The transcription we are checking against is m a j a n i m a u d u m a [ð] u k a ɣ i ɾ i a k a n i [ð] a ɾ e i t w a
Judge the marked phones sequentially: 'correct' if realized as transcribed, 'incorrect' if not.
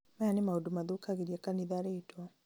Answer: correct, correct

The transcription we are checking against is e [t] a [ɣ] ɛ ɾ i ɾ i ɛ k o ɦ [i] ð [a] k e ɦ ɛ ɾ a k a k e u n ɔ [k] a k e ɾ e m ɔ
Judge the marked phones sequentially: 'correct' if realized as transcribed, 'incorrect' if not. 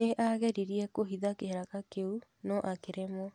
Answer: incorrect: ʔ, correct, correct, correct, incorrect: ʔ

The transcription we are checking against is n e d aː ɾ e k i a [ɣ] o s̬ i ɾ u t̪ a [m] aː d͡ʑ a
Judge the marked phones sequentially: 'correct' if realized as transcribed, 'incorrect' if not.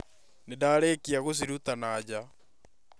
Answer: correct, incorrect: n

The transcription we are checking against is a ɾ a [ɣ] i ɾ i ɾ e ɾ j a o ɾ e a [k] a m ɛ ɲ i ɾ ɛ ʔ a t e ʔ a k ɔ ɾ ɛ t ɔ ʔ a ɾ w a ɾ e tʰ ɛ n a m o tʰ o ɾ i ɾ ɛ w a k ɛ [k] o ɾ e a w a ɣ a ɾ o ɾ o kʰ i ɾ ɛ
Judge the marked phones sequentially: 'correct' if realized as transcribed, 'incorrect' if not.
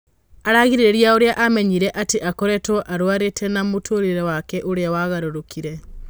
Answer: correct, incorrect: ʔ, incorrect: ʔ

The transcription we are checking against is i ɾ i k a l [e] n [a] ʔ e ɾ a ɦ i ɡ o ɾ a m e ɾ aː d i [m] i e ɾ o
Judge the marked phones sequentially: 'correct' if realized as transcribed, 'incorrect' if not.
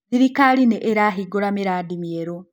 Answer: incorrect: i, incorrect: e, correct

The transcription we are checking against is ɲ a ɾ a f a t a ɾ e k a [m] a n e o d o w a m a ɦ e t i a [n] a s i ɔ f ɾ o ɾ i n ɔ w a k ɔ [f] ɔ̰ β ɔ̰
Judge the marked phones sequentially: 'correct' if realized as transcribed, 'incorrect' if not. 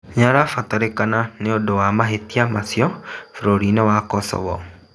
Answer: incorrect: n, incorrect: m, incorrect: s

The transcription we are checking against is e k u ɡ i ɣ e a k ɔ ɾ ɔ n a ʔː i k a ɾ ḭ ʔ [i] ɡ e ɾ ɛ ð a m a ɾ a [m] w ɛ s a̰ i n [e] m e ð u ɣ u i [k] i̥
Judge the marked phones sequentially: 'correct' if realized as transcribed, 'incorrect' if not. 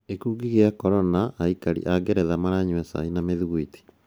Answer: incorrect: a, incorrect: ɲ, incorrect: a, incorrect: t

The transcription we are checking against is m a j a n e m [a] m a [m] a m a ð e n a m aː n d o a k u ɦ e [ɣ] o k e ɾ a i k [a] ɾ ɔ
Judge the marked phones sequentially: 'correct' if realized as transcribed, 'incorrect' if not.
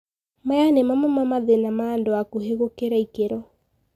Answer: correct, correct, correct, incorrect: e

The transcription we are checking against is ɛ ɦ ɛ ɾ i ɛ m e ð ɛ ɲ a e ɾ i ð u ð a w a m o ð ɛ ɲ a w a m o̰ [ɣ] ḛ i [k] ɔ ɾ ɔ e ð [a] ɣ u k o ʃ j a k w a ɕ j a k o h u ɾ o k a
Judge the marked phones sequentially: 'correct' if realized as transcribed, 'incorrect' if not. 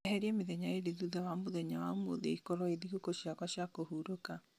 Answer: incorrect: ð, correct, incorrect: i

